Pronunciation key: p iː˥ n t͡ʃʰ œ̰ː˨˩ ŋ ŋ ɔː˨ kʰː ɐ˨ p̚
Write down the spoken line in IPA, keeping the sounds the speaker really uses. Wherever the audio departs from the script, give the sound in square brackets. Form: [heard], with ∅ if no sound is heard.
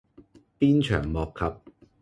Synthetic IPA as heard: p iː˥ n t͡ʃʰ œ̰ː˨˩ ŋ [m] ɔː˨ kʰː ɐ˨ p̚